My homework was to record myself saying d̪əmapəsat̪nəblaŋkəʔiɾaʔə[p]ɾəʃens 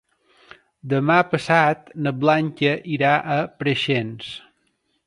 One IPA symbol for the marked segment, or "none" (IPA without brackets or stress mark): p